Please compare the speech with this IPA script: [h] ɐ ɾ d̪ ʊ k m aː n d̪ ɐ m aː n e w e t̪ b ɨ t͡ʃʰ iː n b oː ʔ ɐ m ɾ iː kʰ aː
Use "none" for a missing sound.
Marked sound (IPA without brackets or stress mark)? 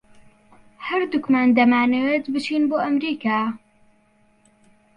h